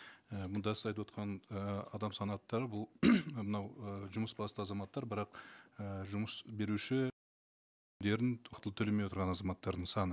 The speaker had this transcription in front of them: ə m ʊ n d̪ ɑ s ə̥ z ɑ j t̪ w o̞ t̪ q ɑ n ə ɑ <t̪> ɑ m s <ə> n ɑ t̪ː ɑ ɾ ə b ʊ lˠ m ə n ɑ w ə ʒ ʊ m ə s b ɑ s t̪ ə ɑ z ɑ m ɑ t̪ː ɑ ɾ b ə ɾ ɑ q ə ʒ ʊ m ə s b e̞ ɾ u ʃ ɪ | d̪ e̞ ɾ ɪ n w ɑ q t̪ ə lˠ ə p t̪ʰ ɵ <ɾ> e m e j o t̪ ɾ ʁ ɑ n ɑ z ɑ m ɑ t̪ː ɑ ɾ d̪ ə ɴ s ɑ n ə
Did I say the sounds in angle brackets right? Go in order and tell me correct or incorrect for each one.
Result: incorrect: d̪, incorrect: ɑ, incorrect: l

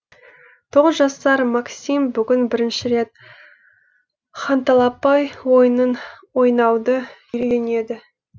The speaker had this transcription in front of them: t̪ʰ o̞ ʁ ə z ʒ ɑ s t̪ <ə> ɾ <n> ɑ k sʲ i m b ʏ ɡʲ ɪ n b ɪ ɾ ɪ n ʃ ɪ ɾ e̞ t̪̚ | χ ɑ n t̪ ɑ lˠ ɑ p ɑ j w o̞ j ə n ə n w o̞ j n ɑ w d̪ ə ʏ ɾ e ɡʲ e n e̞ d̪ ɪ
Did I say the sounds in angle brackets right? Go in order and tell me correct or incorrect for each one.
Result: incorrect: ɑ, incorrect: m

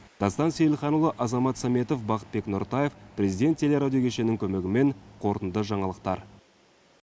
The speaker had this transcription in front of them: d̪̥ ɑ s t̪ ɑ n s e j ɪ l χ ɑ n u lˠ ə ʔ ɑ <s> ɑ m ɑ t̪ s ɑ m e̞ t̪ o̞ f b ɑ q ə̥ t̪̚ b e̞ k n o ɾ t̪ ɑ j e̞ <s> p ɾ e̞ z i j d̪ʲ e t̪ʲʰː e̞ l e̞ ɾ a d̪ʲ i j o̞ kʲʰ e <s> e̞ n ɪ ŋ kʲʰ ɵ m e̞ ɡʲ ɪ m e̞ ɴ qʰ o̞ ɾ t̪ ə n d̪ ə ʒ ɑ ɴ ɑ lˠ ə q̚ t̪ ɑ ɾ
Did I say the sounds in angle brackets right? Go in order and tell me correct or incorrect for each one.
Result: incorrect: z, incorrect: f, incorrect: ʃ

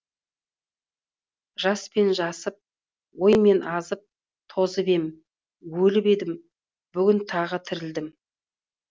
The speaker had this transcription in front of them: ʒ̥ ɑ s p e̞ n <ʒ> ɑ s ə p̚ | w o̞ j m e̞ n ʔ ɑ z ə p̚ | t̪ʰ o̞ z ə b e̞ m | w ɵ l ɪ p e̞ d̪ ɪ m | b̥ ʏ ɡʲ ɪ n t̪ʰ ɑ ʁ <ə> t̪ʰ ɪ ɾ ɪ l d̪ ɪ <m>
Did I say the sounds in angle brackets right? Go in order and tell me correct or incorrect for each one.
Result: correct, correct, correct

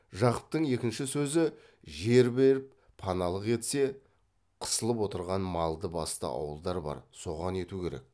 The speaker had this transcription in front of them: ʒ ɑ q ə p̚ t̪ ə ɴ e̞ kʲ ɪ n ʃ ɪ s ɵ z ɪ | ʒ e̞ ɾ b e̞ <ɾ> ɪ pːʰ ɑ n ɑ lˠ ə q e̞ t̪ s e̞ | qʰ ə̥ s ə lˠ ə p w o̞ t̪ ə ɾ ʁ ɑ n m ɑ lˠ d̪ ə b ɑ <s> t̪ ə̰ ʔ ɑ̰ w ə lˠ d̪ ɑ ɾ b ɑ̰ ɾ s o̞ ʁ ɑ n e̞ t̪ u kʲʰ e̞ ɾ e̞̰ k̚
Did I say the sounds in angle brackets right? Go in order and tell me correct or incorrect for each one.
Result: correct, correct

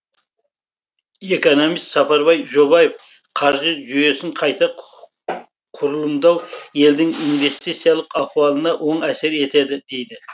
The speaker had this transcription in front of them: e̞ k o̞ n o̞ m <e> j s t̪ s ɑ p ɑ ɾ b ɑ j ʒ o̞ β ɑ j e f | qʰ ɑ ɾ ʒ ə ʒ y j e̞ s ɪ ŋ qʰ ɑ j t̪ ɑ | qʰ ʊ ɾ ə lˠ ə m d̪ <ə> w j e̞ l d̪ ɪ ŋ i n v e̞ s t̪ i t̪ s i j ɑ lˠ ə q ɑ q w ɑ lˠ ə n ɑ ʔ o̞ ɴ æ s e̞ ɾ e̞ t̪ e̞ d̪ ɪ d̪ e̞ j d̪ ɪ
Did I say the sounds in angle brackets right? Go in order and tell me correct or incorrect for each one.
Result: incorrect: i, incorrect: ɑ

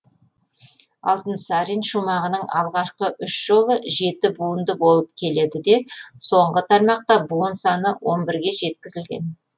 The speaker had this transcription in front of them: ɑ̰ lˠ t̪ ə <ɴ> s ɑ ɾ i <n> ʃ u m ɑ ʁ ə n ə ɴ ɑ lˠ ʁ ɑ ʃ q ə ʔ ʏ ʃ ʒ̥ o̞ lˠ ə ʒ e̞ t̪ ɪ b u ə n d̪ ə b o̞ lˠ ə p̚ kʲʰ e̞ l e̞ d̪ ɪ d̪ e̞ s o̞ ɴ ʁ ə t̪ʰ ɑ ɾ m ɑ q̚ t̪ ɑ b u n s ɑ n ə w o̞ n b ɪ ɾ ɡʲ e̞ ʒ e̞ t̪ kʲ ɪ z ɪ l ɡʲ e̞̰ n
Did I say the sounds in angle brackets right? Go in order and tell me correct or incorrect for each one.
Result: incorrect: n, correct

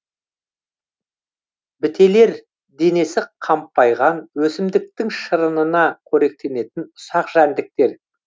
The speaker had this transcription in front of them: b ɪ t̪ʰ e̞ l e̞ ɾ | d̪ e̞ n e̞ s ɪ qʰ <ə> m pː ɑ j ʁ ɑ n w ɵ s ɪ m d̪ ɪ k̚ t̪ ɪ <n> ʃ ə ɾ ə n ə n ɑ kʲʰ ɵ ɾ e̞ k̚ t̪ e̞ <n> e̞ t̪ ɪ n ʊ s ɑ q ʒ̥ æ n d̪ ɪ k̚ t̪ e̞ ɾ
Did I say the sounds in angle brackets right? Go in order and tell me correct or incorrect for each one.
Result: incorrect: ɑ, incorrect: ŋ, correct

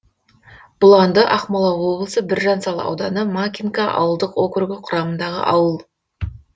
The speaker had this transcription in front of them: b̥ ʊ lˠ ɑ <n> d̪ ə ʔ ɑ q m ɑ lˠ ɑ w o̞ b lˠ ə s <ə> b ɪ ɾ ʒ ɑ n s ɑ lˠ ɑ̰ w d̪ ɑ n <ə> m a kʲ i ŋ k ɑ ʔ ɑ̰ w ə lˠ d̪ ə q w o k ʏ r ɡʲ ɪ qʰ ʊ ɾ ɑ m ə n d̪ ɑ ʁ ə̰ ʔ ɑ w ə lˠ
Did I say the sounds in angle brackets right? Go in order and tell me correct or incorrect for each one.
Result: correct, correct, correct

